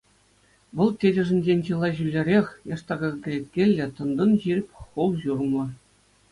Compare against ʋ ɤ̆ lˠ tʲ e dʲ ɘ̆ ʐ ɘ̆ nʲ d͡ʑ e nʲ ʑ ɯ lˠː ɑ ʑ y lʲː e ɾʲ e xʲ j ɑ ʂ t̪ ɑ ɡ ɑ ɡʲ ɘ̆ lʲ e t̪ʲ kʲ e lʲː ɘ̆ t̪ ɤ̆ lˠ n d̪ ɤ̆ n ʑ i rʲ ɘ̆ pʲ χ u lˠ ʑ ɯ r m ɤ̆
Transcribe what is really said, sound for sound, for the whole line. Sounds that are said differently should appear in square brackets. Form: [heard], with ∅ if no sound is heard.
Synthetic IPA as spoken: ʋ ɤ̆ lˠ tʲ e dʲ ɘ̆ ʐ ɘ̆ nʲ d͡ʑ e nʲ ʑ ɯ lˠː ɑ ʑ y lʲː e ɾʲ e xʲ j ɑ ʂ t̪ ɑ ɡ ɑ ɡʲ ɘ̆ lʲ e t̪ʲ kʲ e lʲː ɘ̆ t̪ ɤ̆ [∅] n d̪ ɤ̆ n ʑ i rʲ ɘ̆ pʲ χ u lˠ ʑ [u] r m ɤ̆